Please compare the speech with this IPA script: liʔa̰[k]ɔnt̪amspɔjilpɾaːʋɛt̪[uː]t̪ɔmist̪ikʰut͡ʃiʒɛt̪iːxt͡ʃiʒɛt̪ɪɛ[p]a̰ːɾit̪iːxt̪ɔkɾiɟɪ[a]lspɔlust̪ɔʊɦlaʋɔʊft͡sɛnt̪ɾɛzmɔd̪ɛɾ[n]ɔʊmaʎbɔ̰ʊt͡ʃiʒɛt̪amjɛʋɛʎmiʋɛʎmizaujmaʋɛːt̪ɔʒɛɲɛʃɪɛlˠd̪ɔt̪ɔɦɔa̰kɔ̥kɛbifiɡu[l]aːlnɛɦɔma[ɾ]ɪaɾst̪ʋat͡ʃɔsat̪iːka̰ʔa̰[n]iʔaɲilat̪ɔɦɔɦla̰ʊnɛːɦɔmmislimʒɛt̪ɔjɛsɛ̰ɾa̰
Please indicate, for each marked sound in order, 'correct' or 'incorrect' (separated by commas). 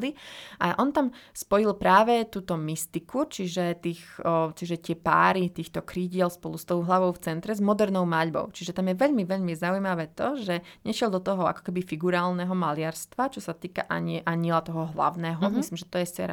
incorrect, correct, correct, incorrect, correct, incorrect, incorrect, incorrect